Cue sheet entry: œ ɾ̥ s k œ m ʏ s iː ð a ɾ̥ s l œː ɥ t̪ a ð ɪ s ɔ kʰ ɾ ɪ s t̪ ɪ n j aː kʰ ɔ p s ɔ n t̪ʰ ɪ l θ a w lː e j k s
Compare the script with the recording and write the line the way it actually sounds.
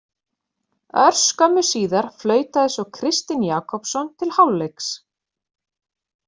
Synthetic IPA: œ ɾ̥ s k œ m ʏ s iː ð a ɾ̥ f l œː ɥ t̪ a ð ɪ s ɔ kʰ ɾ ɪ s t̪ ɪ n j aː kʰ ɔ p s ɔ n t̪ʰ ɪ l h a w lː e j k s